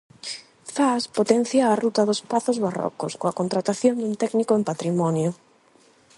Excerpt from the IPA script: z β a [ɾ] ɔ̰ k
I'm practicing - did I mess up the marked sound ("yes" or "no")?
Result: yes